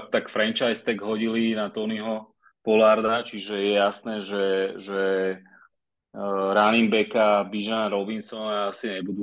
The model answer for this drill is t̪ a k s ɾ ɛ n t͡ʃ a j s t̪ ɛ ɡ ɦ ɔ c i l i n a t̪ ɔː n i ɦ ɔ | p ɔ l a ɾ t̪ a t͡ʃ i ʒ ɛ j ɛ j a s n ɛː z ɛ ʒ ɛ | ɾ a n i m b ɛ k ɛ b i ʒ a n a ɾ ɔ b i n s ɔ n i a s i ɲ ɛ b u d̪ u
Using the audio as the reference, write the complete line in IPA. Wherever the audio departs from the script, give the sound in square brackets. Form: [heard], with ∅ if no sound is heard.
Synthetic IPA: t̪ a k [f] ɾ ɛ n t͡ʃ a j s t̪ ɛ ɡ ɦ ɔ [ɟ] i l i n a t̪ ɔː n i ɦ ɔ | p ɔ l a ɾ [d̪] a t͡ʃ i ʒ ɛ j ɛ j a s n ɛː [ʒ] ɛ ʒ ɛ | ɾ a n i m b ɛ k [a] b i ʒ a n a ɾ ɔ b i n s ɔ n [a] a s i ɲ ɛ b u d̪ u